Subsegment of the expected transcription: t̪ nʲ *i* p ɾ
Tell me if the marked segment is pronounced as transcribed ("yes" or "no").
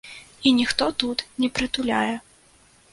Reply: no